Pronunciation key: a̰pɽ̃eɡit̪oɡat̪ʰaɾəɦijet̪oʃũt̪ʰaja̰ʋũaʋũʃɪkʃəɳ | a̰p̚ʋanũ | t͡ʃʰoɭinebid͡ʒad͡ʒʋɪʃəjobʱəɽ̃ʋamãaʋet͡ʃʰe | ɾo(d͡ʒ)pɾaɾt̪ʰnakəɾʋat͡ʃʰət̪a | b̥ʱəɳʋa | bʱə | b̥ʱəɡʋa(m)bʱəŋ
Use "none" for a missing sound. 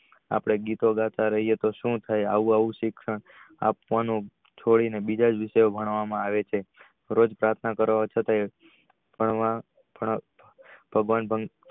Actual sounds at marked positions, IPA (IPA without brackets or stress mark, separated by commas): d͡ʒ, n